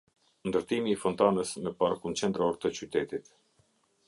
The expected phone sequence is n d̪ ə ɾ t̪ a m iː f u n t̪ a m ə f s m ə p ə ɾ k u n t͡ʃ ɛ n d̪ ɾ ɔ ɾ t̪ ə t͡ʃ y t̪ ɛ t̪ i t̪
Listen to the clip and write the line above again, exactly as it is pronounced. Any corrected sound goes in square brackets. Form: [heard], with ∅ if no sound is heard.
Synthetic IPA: n d̪ ə ɾ t̪ [i] m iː f [ɔ] n t̪ a [n] ə [∅] s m ə p [a] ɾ k u n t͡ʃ ɛ n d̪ ɾ ɔ ɾ t̪ ə t͡ʃ y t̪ ɛ t̪ i t̪